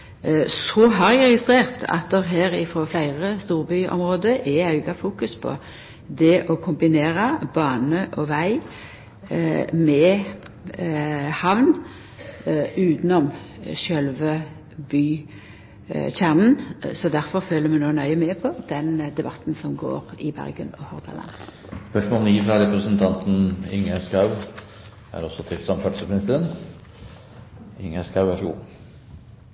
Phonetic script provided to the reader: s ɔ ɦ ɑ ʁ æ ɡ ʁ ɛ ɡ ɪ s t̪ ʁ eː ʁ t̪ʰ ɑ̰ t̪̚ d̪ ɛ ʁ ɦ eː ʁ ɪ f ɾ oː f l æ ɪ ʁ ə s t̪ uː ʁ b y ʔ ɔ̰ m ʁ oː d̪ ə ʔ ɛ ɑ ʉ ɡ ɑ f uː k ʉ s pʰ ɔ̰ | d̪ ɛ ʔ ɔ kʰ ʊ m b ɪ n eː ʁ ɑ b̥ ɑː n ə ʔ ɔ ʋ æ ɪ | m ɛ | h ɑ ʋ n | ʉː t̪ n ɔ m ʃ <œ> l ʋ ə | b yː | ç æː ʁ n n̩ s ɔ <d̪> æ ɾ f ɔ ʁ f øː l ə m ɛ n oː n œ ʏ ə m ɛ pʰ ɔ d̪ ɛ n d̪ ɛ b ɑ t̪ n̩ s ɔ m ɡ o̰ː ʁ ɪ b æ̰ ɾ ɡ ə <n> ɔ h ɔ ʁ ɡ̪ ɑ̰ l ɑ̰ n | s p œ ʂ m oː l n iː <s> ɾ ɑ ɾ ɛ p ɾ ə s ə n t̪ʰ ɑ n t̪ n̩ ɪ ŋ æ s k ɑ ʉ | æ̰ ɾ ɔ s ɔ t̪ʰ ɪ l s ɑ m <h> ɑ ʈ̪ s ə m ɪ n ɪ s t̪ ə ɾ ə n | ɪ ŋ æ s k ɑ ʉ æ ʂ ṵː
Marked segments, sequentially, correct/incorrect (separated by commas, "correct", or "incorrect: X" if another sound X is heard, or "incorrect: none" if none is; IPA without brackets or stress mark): correct, correct, correct, incorrect: f, incorrect: f